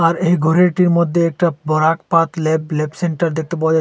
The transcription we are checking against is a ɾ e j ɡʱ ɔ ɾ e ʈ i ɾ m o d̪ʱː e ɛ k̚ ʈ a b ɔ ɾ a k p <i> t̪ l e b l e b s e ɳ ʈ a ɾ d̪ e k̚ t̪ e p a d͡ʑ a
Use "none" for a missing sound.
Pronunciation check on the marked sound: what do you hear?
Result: a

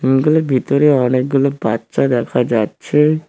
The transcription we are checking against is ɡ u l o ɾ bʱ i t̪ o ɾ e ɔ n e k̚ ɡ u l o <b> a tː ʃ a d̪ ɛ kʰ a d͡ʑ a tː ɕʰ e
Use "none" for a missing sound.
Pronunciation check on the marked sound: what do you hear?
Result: b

